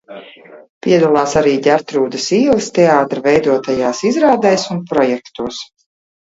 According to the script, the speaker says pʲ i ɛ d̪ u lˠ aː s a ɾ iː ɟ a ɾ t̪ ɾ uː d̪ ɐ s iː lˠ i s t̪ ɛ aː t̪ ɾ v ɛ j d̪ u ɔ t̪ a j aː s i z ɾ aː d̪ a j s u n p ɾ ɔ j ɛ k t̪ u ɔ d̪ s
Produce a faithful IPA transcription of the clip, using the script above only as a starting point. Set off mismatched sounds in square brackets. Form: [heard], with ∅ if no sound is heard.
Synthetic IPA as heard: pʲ i ɛ d̪ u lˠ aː s a ɾ iː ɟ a ɾ t̪ ɾ uː d̪ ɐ s iː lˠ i s t̪ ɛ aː t̪ ɾ v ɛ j d̪ u ɔ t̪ a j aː s i z ɾ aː d̪ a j s u n p ɾ ɔ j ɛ k t̪ u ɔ [∅] s